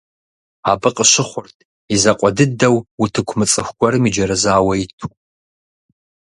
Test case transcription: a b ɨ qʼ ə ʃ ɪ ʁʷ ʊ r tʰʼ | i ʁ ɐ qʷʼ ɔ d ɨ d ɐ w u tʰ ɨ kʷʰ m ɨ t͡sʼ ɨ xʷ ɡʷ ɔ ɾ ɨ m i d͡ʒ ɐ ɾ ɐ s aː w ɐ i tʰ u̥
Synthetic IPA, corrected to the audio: a b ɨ qʼ ə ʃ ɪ χʷ ʊ r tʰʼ | i z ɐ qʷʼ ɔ d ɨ d ɐ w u tʰ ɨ kʷʰ m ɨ t͡sʼ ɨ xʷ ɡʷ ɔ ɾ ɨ m i d͡ʒ ɐ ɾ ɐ z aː w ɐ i tʰ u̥